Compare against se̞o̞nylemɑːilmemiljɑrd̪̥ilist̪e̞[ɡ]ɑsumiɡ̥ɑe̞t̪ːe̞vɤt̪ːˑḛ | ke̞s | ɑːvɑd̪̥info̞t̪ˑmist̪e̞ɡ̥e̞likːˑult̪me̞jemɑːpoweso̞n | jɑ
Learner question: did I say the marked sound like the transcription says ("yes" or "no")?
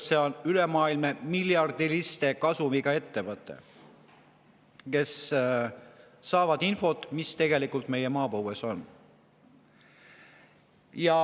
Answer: no